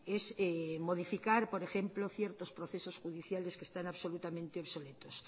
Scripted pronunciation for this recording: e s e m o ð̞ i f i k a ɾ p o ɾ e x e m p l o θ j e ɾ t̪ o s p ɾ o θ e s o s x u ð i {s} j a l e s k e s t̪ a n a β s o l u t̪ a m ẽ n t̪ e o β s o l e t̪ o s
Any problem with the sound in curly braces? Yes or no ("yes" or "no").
yes